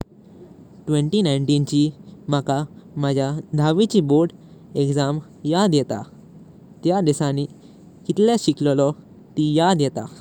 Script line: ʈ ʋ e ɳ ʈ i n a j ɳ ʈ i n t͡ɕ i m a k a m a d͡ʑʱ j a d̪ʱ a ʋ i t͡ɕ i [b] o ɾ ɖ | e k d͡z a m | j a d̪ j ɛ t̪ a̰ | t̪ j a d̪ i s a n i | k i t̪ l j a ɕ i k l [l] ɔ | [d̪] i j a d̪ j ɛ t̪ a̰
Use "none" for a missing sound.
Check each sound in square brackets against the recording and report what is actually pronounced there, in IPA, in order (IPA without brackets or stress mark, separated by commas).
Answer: b, l, t̪